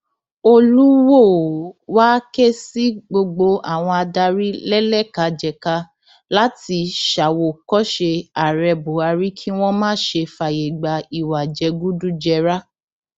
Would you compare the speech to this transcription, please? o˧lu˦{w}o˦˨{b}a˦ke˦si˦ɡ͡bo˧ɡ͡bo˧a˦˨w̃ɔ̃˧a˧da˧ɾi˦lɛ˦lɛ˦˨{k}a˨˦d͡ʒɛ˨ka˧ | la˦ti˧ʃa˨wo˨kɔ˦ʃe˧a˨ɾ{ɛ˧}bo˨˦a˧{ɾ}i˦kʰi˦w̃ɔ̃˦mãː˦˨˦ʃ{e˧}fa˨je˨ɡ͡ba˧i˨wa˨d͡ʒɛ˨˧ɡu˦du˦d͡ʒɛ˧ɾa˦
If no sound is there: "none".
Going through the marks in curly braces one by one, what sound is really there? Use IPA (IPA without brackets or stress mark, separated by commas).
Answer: w, w, k, ɛ˧, ɾ, e˧